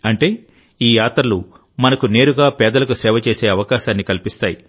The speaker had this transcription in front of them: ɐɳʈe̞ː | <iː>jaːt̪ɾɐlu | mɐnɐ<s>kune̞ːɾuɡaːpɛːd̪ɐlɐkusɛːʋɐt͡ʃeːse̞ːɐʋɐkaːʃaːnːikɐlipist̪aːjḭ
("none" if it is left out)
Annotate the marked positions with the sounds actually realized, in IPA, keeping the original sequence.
iː, none

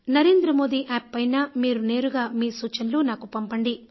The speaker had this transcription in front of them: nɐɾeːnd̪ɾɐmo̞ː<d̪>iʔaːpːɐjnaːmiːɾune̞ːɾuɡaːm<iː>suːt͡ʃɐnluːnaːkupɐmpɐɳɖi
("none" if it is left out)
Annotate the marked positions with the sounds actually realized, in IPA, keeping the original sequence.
d̪, iː

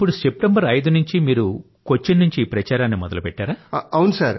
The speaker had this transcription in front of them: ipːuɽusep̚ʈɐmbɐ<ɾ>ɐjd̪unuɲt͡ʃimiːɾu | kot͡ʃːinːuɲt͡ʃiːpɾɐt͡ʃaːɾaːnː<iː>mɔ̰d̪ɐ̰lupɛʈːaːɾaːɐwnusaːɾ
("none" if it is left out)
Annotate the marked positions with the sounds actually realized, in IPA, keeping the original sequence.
ɾ, i

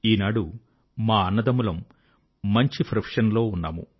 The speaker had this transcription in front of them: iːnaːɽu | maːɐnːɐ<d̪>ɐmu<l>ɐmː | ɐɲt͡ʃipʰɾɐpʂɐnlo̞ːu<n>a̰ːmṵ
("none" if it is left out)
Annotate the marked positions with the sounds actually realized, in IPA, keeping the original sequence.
d̪, l, nː

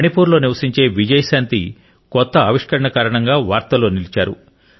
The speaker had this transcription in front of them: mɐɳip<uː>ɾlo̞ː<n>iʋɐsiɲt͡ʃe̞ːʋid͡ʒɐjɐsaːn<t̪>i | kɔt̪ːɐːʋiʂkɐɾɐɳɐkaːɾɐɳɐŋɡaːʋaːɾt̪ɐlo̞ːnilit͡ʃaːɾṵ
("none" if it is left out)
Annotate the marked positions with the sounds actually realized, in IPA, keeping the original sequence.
uː, n, t̪

